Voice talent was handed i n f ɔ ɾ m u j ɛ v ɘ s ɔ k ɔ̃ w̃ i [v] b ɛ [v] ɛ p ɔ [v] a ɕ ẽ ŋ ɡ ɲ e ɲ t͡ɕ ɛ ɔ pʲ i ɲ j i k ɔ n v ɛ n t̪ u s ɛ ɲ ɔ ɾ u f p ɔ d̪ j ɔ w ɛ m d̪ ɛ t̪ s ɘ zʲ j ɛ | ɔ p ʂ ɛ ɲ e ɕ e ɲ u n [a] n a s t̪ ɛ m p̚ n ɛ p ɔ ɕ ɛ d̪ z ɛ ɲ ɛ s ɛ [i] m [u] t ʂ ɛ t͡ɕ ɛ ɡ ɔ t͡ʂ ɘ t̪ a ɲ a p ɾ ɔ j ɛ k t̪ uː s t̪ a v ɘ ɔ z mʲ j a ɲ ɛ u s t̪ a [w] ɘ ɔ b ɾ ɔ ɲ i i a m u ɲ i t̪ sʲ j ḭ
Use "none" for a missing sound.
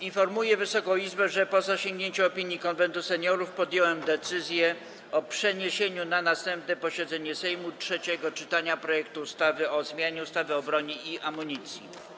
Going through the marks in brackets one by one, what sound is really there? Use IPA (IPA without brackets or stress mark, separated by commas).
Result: z, ʐ, z, a, j, u, v